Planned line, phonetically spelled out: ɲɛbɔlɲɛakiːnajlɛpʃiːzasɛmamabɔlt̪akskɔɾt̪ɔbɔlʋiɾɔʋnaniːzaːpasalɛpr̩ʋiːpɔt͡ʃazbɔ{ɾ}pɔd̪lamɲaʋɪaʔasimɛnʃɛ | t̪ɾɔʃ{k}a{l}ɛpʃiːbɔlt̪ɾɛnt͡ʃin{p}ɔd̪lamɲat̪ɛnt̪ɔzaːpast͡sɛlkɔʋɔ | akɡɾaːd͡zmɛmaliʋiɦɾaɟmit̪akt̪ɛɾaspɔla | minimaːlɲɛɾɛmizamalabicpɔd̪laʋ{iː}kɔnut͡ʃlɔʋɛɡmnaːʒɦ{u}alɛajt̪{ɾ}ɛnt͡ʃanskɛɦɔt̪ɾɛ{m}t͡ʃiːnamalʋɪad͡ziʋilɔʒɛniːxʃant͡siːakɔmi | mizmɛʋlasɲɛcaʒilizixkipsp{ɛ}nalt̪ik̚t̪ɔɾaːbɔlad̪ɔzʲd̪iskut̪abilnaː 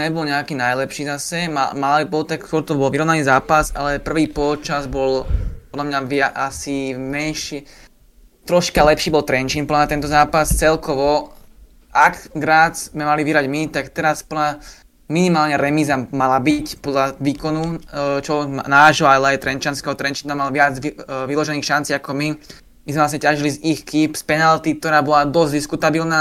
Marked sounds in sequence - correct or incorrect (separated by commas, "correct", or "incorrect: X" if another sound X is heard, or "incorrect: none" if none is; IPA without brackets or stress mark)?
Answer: incorrect: l, correct, correct, correct, correct, incorrect: ɔ, correct, incorrect: n, correct